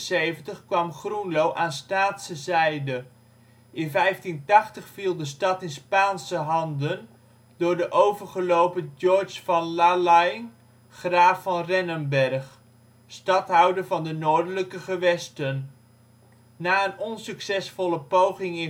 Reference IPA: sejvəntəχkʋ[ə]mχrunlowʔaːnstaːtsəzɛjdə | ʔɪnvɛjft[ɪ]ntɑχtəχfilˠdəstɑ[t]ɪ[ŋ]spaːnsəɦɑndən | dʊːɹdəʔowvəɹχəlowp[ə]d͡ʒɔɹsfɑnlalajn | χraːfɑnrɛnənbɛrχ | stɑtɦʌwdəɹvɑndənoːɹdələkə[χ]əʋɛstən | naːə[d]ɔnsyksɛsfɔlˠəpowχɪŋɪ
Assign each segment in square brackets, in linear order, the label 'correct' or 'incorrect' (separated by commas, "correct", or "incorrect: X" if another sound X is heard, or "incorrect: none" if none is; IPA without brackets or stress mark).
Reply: incorrect: ɑ, incorrect: i, correct, incorrect: n, correct, correct, incorrect: n